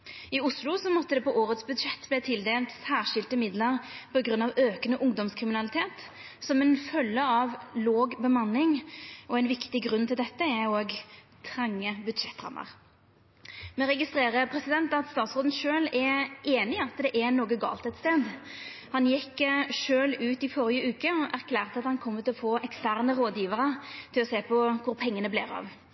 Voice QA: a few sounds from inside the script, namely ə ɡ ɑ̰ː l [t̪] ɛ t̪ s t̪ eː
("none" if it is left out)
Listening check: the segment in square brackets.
t̪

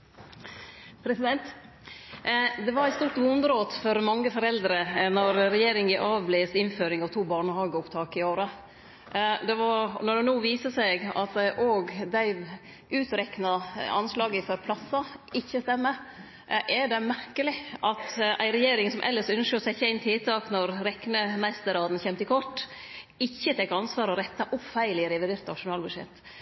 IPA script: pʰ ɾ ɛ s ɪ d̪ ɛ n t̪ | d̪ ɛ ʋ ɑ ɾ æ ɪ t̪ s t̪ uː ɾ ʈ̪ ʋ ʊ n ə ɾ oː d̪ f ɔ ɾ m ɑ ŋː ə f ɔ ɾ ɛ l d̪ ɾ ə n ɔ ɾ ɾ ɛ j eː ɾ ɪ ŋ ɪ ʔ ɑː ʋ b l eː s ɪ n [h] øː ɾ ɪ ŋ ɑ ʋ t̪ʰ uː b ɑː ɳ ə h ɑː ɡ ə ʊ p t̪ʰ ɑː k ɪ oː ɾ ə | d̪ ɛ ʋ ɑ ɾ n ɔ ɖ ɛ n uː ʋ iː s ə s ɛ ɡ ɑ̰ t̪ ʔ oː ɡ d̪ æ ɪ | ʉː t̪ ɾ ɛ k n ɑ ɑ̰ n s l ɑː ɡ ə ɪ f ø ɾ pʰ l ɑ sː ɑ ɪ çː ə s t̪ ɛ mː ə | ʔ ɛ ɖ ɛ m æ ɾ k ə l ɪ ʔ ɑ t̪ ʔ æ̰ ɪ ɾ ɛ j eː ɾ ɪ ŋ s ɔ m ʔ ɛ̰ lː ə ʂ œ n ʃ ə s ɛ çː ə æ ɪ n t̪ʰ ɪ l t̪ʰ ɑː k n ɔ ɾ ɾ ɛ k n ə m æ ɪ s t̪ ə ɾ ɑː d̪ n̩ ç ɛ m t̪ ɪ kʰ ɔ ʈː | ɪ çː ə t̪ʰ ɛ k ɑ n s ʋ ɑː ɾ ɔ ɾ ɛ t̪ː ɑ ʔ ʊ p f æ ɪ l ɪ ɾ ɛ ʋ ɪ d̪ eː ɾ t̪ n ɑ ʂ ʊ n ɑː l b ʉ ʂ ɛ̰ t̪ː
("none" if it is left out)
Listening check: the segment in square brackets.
f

